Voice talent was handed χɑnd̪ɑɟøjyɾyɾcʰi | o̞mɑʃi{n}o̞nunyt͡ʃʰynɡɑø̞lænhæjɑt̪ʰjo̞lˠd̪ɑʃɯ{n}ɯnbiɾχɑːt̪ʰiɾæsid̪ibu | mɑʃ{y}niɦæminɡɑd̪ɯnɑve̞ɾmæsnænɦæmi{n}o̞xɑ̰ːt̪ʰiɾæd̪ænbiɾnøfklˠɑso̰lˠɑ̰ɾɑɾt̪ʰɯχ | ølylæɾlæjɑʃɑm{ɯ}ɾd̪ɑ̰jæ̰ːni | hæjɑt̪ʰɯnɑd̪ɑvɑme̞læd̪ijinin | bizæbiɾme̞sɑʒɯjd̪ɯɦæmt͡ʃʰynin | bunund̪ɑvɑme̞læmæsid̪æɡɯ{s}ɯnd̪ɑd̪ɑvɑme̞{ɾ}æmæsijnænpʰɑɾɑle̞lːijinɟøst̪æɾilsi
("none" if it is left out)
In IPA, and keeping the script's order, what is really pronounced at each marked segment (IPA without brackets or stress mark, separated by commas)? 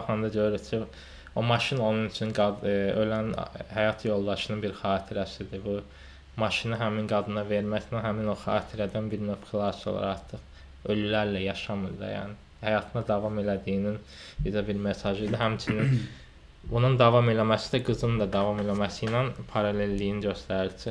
n, n, i, n, ɯ, z, l